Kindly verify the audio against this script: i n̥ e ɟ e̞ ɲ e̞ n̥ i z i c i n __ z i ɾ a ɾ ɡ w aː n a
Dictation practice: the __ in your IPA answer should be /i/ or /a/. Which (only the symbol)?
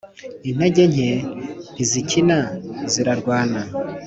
a